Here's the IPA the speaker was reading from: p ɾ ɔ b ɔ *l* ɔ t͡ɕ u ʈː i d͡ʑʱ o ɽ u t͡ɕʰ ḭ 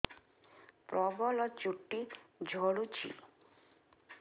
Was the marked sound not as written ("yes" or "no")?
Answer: no